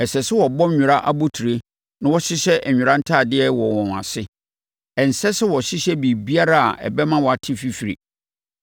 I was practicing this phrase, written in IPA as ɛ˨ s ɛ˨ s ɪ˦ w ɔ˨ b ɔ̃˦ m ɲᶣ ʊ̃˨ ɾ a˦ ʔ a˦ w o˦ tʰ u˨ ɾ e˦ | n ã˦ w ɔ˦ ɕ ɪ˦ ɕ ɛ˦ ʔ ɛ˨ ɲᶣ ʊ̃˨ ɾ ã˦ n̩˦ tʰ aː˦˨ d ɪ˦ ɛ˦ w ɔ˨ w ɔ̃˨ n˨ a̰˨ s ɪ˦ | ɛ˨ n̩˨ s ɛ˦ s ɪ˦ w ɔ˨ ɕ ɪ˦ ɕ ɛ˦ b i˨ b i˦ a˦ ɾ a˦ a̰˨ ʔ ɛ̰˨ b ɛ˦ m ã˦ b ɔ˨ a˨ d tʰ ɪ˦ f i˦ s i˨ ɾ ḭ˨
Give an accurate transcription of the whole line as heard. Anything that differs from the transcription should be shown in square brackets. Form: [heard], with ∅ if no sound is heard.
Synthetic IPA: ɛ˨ s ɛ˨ s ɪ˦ w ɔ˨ b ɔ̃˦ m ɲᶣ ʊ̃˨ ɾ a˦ ʔ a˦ [b] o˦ tʰ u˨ ɾ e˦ | n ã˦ w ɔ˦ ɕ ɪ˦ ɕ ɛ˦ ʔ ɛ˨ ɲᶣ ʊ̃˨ ɾ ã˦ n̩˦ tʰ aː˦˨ d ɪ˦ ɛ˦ w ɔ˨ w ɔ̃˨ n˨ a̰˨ s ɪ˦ | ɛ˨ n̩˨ s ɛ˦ s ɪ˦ w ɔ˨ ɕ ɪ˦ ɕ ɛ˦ b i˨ b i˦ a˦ ɾ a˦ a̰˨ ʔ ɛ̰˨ b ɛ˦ m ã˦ [w] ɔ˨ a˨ [∅] tʰ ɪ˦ f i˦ [f] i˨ ɾ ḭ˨